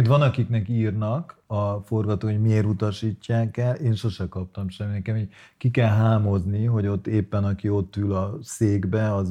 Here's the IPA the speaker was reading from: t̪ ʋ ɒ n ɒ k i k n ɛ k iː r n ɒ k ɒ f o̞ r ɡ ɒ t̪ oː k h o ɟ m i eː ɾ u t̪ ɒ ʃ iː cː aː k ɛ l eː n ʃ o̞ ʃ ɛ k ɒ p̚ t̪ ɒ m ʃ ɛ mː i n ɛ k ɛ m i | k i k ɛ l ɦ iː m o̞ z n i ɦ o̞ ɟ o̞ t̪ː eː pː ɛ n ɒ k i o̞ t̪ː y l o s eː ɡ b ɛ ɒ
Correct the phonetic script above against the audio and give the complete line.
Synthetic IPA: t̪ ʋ ɒ n ɒ k i k n ɛ k iː r n ɒ k ɒ f o̞ r ɡ ɒ t̪ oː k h o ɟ m i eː ɾ u t̪ ɒ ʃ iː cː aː k ɛ l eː n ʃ o̞ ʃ ɛ k ɒ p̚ t̪ ɒ m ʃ ɛ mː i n ɛ k ɛ m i | k i k ɛ l ɦ aː m o̞ z n i ɦ o̞ ɟ o̞ t̪ː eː pː ɛ n ɒ k i o̞ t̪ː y l ɒ s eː ɡ b ɛ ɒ